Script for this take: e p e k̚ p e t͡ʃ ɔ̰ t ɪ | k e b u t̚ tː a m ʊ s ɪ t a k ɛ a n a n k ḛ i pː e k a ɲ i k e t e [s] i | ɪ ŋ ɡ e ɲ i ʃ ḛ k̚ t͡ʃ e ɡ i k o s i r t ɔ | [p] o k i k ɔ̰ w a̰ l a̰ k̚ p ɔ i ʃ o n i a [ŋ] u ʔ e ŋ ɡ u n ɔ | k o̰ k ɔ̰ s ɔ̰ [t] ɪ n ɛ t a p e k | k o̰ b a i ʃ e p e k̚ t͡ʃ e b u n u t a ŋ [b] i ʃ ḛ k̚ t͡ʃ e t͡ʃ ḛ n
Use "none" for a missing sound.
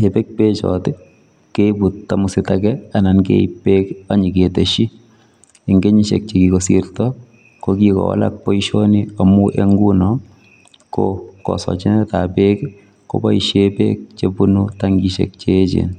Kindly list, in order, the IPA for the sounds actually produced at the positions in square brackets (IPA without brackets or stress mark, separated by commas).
ʃ, k, m, t͡ʃ, ɡ